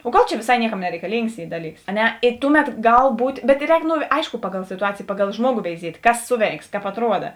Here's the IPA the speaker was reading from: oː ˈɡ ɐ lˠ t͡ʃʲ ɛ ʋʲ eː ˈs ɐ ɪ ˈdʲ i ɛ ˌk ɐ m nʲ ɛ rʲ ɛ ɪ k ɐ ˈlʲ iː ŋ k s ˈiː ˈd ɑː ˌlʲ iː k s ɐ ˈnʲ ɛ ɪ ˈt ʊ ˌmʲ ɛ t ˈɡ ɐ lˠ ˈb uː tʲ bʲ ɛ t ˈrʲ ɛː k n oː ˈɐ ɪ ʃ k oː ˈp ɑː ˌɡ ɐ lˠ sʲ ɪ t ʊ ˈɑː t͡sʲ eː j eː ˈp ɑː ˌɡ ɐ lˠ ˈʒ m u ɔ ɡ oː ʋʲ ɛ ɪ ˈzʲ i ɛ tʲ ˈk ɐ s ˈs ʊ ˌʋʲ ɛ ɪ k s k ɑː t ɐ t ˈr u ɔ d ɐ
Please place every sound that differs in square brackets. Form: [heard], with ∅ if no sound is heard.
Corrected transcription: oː ˈɡ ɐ lˠ t͡ʃʲ ɛ ʋʲ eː ˈs ɐ ɪ [ˈnʲ] i ɛ ˌk ɐ m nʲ ɛ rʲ ɛ ɪ k ɐ ˈlʲ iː ŋ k s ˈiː ˈd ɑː ˌlʲ iː k s ɐ ˈnʲ ɛ ɪ ˈt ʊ ˌmʲ ɛ t ˈɡ ɐ lˠ ˈb uː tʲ bʲ ɛ t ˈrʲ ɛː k n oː ˈɐ ɪ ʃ k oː ˈp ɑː ˌɡ ɐ lˠ sʲ ɪ t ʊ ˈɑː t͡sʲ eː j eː ˈp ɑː ˌɡ ɐ lˠ ˈʒ m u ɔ ɡ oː ʋʲ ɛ ɪ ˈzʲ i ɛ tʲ ˈk ɐ s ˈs ʊ ˌʋʲ ɛ ɪ k s k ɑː [p] ɐ t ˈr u ɔ d ɐ